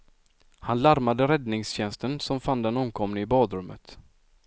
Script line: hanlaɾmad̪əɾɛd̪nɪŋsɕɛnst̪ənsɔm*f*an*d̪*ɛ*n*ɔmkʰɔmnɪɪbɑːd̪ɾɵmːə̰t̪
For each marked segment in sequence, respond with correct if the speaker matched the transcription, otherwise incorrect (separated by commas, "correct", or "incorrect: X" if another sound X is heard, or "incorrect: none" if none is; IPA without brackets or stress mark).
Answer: correct, correct, correct